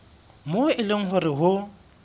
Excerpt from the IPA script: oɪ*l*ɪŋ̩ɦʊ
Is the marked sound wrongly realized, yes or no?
no